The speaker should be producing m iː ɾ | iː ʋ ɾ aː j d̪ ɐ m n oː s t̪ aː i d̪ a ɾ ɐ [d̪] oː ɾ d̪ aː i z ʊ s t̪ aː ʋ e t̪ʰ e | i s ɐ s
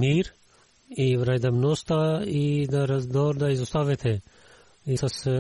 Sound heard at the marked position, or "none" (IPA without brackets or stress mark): d̪